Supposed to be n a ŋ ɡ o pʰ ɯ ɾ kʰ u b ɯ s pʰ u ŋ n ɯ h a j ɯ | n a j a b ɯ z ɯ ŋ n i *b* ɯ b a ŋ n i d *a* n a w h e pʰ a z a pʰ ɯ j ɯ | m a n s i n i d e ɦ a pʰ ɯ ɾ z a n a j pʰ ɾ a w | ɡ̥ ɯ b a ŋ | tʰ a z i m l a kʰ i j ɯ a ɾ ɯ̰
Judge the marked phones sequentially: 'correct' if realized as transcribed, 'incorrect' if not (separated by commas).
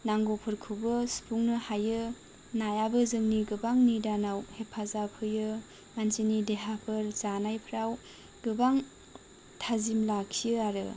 incorrect, correct